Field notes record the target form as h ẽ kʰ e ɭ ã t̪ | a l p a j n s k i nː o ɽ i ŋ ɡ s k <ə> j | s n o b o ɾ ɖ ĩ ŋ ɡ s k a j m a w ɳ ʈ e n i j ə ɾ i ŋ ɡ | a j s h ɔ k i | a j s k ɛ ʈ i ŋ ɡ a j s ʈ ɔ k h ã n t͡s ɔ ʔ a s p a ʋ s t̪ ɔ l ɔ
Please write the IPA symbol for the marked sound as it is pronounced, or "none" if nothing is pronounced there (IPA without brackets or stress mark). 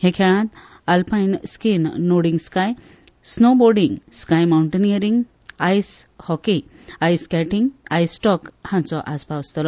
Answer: a